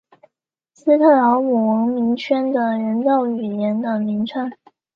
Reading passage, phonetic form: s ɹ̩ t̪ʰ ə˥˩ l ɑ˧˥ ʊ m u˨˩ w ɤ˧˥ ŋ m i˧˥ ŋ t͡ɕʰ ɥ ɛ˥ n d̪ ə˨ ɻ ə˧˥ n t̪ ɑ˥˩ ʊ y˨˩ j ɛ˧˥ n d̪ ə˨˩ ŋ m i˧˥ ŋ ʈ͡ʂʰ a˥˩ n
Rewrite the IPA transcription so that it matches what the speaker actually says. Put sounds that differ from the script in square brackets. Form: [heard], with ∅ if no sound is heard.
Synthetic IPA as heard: s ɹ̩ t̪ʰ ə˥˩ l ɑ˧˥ ʊ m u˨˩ w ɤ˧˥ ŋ m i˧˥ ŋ t͡ɕʰ ɥ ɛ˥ n d̪ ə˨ ɻ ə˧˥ n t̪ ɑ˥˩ ʊ y˨˩ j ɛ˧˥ n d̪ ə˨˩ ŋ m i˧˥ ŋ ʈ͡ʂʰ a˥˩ n